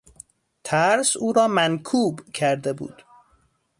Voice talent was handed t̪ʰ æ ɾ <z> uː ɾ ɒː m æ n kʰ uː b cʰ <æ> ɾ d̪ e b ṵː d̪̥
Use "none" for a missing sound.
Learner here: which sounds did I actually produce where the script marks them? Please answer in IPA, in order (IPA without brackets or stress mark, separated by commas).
s, æ